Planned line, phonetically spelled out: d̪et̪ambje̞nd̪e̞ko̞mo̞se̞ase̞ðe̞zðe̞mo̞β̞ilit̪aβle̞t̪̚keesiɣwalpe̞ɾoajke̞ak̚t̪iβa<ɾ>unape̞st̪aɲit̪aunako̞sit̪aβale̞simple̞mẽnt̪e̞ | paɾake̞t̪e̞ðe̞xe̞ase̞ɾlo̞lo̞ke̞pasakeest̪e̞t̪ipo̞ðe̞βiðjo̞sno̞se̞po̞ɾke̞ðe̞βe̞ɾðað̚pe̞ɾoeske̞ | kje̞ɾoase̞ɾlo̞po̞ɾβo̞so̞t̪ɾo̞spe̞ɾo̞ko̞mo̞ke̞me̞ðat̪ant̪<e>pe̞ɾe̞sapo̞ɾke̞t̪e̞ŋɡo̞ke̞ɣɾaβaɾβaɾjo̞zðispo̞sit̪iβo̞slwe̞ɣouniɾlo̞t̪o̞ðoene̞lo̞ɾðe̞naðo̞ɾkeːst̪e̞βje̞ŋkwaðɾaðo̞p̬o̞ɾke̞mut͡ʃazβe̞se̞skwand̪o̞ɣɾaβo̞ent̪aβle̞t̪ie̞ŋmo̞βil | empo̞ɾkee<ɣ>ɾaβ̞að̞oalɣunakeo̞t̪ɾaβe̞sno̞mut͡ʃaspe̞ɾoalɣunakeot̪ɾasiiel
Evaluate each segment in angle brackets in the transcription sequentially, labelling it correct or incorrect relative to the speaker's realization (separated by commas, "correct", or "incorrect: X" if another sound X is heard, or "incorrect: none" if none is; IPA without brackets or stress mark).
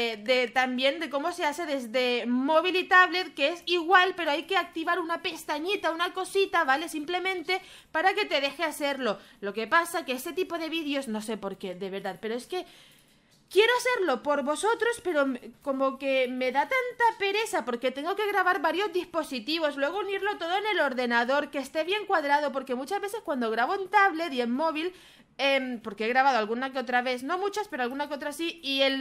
correct, incorrect: a, correct